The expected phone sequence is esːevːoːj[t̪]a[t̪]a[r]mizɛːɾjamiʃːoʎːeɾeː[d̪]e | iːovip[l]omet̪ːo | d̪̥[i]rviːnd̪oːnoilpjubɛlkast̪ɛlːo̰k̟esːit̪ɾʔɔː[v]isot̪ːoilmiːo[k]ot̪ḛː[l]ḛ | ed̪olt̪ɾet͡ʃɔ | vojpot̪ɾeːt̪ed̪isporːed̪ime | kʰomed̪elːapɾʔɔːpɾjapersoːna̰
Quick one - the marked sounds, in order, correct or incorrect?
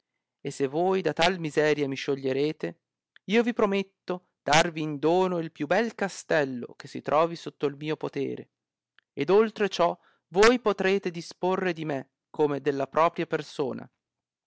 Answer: incorrect, correct, incorrect, incorrect, incorrect, incorrect, correct, incorrect, incorrect

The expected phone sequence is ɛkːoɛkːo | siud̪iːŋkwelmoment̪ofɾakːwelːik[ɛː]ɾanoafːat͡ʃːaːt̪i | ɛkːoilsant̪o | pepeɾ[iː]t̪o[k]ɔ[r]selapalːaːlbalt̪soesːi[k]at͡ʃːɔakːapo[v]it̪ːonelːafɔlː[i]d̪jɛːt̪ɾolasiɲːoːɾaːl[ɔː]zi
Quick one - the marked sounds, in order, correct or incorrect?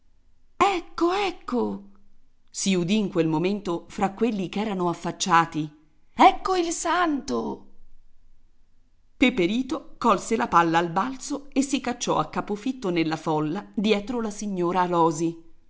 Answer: correct, correct, correct, incorrect, correct, incorrect, incorrect, correct

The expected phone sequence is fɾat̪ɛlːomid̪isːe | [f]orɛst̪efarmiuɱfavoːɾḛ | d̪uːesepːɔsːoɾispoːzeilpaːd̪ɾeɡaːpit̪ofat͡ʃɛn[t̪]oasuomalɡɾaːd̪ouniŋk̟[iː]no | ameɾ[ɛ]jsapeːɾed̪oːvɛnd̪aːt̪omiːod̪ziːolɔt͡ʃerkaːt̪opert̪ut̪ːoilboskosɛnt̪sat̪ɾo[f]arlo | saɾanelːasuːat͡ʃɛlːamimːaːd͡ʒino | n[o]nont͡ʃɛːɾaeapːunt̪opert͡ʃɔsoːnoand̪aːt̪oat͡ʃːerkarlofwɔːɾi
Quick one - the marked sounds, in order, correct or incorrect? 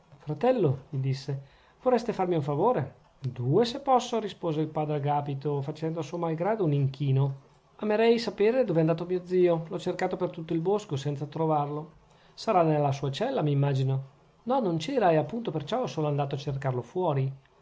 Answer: incorrect, incorrect, correct, correct, incorrect, incorrect

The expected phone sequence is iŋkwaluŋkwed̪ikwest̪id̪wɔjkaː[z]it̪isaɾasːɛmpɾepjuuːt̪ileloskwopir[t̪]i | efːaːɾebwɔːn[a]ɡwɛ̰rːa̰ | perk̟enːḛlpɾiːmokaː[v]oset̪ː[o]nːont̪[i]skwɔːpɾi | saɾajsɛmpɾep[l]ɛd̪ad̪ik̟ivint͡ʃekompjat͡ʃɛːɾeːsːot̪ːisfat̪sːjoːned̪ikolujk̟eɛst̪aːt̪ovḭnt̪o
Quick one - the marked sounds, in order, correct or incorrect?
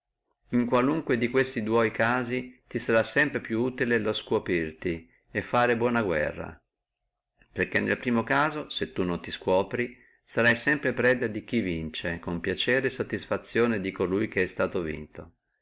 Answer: correct, correct, correct, incorrect, incorrect, correct, incorrect

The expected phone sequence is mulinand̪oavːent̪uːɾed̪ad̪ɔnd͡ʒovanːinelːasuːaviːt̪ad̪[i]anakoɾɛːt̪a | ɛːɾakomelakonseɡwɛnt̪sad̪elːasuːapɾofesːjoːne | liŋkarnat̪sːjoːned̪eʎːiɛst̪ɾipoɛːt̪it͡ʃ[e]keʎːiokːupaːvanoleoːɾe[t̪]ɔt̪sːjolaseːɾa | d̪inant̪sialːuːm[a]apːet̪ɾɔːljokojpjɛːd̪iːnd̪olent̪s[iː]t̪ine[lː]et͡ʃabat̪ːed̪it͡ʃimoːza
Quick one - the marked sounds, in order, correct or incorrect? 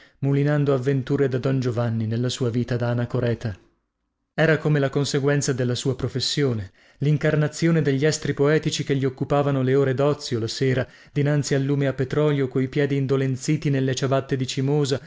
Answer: incorrect, incorrect, incorrect, incorrect, correct, correct

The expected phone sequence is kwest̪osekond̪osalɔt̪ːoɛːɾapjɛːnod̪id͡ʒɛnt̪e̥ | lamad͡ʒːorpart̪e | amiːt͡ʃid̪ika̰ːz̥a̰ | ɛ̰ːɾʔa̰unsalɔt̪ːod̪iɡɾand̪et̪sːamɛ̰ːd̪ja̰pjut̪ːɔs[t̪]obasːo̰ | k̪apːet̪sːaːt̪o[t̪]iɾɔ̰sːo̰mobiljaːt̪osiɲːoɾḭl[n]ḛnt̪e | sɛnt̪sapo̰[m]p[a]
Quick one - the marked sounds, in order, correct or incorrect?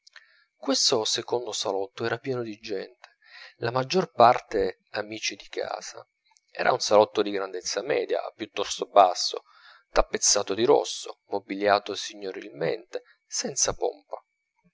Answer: correct, incorrect, incorrect, correct, correct

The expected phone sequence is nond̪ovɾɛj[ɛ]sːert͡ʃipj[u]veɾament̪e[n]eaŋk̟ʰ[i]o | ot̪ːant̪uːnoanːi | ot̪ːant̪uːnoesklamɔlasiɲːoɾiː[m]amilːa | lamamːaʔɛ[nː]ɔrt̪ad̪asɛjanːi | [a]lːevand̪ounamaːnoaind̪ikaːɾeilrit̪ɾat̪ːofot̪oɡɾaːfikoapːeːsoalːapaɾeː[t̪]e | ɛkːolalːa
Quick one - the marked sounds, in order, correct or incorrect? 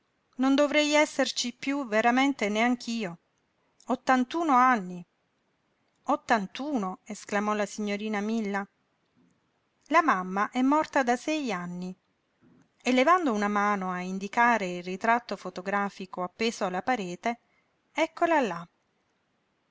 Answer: correct, correct, correct, incorrect, incorrect, incorrect, incorrect, correct

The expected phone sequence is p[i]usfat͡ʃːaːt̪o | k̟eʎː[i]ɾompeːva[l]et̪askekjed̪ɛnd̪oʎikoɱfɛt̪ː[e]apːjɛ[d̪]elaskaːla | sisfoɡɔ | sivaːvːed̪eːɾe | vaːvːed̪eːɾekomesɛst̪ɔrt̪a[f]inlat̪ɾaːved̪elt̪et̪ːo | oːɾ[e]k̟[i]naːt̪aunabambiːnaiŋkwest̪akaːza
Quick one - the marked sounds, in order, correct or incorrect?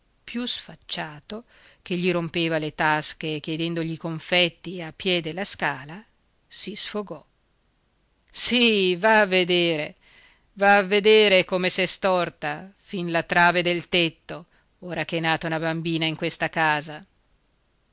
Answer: incorrect, correct, correct, incorrect, correct, correct, incorrect, incorrect

